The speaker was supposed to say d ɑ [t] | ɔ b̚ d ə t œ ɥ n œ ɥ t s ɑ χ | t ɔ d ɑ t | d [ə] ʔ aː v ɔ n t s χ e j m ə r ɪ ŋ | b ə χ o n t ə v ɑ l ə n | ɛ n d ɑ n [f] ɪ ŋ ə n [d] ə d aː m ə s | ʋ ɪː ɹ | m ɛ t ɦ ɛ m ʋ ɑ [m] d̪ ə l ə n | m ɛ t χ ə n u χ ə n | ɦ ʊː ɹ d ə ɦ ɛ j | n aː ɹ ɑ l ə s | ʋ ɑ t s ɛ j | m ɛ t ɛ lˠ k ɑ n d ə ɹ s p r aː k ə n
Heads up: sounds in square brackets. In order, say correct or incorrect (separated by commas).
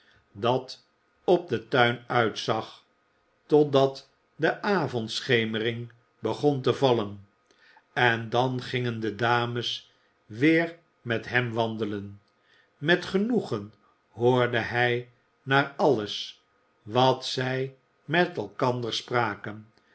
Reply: correct, correct, incorrect, correct, incorrect